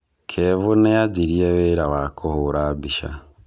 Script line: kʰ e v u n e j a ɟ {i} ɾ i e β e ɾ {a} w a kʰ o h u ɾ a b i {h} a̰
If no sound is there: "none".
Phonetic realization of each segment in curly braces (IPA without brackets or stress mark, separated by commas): i, a, ʃ